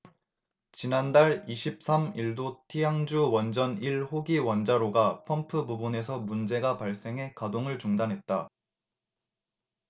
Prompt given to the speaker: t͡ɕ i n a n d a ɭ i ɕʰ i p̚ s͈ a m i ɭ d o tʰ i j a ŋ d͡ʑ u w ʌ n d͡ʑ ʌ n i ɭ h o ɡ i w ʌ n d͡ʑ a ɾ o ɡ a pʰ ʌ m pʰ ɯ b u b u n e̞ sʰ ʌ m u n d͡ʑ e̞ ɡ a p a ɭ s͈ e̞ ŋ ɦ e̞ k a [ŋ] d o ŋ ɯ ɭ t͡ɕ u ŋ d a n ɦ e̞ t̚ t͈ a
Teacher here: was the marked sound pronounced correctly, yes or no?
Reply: no